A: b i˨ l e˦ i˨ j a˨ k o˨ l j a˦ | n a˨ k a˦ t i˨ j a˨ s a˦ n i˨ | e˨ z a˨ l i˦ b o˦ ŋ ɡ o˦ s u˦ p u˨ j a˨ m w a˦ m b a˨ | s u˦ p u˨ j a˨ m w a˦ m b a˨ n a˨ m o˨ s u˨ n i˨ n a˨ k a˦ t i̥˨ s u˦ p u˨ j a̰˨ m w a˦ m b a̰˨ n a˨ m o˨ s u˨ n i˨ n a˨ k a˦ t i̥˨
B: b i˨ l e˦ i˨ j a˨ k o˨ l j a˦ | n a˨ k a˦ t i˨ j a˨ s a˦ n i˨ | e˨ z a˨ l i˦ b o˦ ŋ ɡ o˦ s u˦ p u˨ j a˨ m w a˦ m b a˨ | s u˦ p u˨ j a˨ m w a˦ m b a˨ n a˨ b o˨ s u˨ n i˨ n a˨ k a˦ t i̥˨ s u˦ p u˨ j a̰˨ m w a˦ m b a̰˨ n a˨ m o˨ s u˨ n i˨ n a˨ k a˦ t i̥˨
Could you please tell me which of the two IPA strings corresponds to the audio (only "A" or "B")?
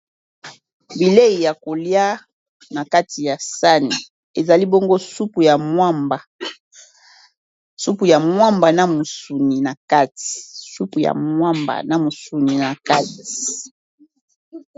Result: A